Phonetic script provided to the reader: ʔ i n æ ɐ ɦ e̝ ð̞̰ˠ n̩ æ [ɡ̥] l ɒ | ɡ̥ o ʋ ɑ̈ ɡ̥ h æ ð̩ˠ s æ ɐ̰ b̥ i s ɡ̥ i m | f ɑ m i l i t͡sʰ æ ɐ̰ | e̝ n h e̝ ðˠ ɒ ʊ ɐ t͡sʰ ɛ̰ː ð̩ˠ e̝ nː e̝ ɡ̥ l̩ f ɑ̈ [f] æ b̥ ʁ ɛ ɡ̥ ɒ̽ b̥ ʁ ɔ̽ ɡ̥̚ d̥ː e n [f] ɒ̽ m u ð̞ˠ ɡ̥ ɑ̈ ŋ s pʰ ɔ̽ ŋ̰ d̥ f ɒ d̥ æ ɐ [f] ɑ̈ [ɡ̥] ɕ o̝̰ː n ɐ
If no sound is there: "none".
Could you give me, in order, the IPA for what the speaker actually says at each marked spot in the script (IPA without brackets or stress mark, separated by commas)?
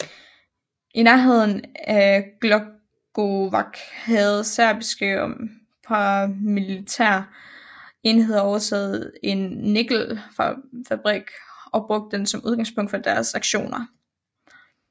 ɡ̥, f, s, s, ɡ̥